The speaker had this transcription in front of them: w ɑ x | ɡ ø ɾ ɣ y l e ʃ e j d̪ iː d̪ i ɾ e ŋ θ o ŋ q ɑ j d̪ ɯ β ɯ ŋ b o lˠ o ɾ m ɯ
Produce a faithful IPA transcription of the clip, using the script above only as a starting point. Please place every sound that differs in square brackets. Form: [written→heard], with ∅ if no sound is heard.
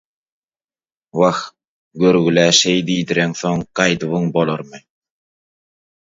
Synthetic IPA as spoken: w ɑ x | ɡ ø ɾ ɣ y l [e→æ] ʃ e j d̪ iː d̪ i ɾ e ŋ θ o ŋ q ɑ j d̪ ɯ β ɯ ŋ b o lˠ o ɾ m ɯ